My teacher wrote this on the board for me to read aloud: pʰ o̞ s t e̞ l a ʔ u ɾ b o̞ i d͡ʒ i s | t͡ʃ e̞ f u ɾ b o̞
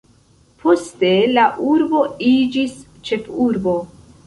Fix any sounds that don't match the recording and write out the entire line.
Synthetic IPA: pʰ o̞ s t e̞ l a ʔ u ɾ b o̞ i d͡ʒ i s | t͡ʃ e̞ f u ɾ b o̞